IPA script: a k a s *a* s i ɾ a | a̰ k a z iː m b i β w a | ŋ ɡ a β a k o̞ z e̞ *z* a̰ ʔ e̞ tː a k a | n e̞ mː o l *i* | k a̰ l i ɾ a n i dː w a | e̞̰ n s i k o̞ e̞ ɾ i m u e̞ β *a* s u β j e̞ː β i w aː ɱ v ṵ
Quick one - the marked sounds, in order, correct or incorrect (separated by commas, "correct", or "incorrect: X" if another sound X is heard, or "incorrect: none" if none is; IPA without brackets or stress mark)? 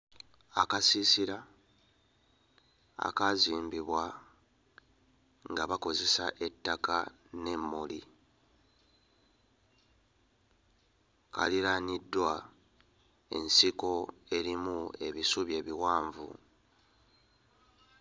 incorrect: i, incorrect: s, correct, incorrect: i